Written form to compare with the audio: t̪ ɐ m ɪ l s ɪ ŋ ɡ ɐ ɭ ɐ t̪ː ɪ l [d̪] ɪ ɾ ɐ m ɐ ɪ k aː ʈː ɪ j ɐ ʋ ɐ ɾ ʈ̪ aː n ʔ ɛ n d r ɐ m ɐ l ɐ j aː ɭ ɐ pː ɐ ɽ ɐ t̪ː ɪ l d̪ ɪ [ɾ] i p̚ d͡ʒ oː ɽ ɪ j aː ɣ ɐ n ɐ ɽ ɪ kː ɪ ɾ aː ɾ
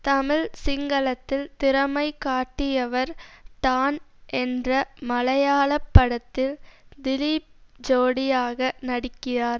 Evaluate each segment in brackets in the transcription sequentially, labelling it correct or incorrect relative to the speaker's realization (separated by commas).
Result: incorrect, incorrect